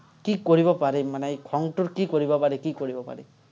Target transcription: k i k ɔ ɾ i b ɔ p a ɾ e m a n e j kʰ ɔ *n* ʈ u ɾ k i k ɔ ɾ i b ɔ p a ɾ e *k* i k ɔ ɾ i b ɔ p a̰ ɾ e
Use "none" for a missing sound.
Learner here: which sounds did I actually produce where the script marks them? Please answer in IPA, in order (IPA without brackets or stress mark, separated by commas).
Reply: ŋ, k